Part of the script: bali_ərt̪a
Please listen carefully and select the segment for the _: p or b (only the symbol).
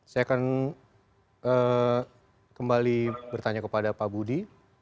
b